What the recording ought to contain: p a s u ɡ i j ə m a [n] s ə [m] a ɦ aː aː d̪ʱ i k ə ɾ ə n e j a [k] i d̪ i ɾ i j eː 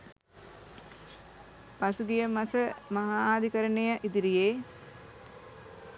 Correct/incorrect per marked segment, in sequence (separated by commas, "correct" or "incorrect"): incorrect, correct, incorrect